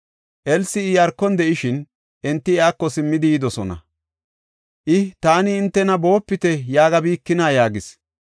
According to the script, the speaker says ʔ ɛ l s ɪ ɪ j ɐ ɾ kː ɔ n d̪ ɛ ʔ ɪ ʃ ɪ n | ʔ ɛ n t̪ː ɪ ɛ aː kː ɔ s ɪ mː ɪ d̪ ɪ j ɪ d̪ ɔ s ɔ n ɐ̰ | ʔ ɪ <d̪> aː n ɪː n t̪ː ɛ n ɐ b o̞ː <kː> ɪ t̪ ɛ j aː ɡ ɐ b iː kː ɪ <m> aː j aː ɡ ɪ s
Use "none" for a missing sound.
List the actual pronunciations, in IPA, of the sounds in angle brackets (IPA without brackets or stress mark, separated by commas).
t̪, pː, n